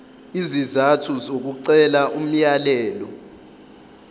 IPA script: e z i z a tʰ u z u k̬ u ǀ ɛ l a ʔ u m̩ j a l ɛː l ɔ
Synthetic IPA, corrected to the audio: i z i z a tʰ u z o k̬ u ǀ ɛ l a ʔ u m̩ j a l ɛː l ɔ